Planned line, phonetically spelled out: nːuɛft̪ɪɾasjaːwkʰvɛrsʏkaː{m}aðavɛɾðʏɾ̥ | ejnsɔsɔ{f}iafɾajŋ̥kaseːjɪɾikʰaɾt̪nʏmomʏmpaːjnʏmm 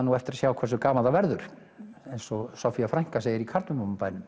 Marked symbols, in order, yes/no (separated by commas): yes, yes